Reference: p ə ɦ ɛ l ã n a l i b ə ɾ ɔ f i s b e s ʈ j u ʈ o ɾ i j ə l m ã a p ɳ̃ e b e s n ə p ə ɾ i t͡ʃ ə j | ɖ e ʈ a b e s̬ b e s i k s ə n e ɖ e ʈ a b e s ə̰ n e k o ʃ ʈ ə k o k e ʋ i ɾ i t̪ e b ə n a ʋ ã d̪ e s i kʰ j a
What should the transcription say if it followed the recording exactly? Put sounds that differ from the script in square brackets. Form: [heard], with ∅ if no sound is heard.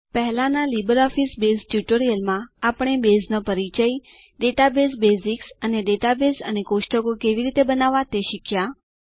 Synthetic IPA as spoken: p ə ɦ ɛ l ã n a l i b ə ɾ ɔ f i s b e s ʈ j u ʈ o ɾ i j ə l m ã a p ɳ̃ e b e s n ə p ə ɾ i t͡ʃ ə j | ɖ e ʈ a b e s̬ b e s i k s ə n e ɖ e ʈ a b e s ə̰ n e k o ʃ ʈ ə k o k e ʋ i ɾ i t̪ e b ə n a ʋ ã [t̪] e [ʃ] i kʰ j a